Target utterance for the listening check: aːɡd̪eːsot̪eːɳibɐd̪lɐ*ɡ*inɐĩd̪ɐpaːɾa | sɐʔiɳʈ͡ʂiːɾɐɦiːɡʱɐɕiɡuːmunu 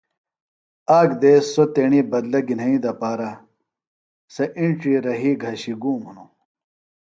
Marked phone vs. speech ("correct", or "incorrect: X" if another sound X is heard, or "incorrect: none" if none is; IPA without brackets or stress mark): correct